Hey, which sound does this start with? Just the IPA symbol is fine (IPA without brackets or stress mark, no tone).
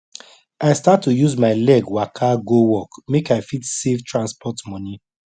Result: a